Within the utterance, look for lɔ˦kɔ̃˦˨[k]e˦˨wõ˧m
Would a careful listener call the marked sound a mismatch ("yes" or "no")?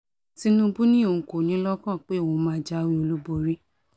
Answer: yes